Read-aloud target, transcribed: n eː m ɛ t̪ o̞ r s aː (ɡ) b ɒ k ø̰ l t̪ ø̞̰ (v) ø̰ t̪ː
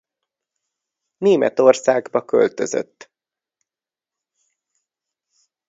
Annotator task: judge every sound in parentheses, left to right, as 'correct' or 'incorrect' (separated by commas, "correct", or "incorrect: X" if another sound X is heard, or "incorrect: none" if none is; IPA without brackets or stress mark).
correct, incorrect: z